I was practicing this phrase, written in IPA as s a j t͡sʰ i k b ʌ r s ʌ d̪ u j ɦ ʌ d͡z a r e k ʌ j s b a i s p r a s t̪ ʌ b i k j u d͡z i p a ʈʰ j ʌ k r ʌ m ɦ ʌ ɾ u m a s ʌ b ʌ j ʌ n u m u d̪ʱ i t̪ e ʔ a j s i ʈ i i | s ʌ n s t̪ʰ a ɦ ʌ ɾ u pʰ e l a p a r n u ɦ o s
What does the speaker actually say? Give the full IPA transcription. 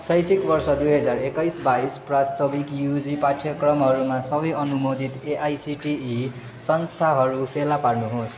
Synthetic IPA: s ʌ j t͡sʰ i k b ʌ r s ʌ d̪ u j ɦ ʌ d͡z a r e k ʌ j s b a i s p r a s t̪ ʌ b i k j u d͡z i p a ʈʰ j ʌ k r ʌ m ɦ ʌ ɾ u m a s ʌ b ʌ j ʌ n u m o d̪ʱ i t̪ e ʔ a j s i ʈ i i | s ʌ n s t̪ʰ a ɦ ʌ ɾ u pʰ e l a p a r n u ɦ o s